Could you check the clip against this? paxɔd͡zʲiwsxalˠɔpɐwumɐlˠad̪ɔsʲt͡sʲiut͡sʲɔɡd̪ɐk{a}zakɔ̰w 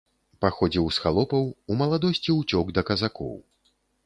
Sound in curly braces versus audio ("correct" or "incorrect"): incorrect